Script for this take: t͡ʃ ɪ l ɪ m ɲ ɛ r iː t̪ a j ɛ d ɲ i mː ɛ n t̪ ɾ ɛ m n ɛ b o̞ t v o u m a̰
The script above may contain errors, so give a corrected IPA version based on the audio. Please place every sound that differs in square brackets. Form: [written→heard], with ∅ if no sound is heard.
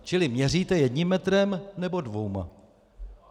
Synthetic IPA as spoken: t͡ʃ ɪ l ɪ m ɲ ɛ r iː t̪ [a→ɛ] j ɛ d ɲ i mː ɛ [n→∅] t̪ ɾ ɛ m n ɛ b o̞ [t→d] v o [u→w] m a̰